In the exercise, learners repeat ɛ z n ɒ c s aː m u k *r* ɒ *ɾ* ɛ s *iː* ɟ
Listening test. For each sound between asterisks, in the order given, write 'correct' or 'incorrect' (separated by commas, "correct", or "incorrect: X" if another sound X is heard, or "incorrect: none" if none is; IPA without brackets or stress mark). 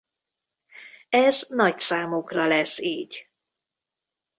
correct, incorrect: l, correct